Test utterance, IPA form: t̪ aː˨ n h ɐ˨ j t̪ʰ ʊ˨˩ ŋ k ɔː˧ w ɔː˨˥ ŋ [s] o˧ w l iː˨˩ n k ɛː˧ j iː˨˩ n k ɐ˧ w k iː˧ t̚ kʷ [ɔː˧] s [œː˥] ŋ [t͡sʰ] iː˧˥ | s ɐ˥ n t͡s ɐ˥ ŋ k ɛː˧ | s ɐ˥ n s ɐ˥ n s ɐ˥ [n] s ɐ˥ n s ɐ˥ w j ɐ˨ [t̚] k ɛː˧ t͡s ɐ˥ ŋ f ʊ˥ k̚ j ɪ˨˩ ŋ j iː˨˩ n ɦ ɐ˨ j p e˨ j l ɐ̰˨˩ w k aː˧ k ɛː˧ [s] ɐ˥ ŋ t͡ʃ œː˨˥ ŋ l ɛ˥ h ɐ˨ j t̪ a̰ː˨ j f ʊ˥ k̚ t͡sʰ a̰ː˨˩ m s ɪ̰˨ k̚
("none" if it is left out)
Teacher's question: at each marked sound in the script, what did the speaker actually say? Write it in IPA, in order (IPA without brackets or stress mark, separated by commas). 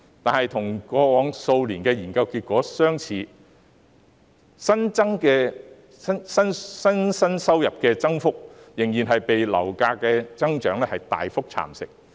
s, ɔː˨˥, œː˥, t͡sʰ, n, p̚, t͡s